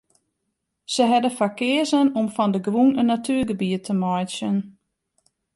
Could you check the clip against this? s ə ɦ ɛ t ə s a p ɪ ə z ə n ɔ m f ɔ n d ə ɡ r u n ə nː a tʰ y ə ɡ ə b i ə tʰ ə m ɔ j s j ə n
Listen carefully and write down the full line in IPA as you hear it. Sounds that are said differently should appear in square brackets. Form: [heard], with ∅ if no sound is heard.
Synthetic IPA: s ə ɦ ɛ [d] ə [f] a [k] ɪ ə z ə n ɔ m f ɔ n d ə ɡ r u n ə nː a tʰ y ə ɡ ə b i ə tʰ ə m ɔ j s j ə n